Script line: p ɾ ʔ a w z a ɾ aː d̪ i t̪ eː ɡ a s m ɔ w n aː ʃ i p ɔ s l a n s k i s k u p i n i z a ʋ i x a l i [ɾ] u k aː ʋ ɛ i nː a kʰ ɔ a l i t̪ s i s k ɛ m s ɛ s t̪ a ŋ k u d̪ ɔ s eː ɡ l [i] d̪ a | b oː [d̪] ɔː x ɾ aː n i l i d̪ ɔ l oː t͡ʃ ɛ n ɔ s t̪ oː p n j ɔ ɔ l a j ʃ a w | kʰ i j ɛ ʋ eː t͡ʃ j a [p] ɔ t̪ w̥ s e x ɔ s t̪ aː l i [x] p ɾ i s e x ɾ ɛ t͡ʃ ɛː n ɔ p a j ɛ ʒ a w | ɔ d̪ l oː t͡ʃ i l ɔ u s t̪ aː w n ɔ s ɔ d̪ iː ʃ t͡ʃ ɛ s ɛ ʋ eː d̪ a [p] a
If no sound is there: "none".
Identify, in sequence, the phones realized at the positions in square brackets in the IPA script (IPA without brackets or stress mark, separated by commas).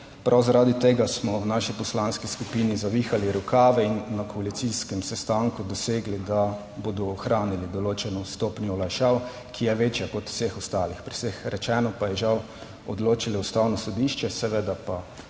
ɾ, i, d̪, k, x, p